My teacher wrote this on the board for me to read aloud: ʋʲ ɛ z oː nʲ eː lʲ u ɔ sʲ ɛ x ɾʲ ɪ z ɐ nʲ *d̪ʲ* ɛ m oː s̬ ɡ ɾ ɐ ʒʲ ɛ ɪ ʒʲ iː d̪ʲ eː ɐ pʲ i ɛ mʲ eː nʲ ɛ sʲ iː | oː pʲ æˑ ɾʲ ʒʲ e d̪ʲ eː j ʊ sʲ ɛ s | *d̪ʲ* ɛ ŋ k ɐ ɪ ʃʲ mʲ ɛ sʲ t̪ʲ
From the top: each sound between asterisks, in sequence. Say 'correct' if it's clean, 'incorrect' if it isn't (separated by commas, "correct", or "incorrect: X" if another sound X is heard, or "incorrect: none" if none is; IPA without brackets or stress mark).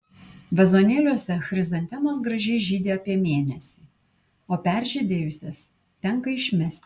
incorrect: t̪ʲ, incorrect: t̪ʲ